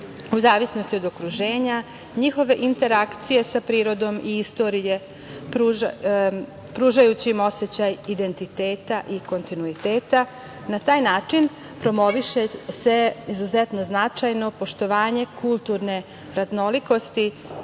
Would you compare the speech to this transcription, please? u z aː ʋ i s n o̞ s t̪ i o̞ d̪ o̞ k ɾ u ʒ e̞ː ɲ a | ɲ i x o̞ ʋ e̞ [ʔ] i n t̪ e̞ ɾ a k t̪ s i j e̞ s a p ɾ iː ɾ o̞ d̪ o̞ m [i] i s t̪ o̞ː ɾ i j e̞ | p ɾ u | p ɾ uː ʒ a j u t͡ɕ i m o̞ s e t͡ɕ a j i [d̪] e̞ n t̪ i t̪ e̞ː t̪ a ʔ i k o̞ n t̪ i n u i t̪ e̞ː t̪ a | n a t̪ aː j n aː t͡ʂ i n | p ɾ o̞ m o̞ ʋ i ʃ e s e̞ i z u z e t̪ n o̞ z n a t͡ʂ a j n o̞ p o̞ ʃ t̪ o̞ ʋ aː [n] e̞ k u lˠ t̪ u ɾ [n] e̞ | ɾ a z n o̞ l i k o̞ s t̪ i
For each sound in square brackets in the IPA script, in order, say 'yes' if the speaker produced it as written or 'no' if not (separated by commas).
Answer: yes, yes, yes, no, yes